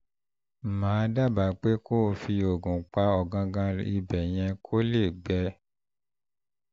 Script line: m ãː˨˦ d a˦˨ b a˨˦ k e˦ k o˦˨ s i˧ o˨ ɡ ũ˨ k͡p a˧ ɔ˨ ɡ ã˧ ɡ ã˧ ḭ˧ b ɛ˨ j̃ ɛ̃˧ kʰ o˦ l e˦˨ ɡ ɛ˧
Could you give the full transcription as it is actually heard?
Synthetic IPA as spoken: m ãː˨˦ d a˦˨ b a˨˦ k͡p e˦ k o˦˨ f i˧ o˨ ɡ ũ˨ k͡p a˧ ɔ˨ ɡ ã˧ ɡ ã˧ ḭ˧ b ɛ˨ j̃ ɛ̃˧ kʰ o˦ l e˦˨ ɡ͡b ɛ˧